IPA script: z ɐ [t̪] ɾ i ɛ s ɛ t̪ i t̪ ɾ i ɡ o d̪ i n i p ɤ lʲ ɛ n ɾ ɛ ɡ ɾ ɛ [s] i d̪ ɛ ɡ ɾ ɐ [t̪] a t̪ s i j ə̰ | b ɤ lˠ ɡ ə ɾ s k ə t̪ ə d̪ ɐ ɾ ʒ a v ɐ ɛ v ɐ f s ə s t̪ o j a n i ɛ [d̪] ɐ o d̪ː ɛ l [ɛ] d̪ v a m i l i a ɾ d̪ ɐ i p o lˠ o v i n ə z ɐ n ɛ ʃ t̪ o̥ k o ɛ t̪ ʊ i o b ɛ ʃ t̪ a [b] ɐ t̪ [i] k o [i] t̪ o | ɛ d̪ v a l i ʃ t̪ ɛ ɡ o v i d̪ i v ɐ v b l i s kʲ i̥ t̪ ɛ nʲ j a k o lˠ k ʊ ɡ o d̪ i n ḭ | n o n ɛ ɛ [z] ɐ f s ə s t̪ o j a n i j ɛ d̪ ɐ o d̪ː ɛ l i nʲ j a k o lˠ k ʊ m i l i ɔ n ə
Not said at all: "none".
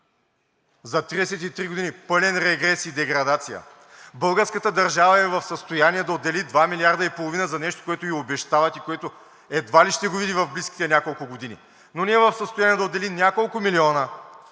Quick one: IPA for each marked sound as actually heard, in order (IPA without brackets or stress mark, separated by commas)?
t̪, s, d̪, d̪, i, v, i, ɛ, v